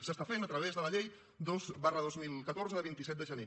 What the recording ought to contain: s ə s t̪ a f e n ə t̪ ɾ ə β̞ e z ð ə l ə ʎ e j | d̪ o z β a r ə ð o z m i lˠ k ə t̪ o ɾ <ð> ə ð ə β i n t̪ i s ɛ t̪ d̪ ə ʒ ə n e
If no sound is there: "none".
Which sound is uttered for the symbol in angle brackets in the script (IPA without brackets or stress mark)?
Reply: z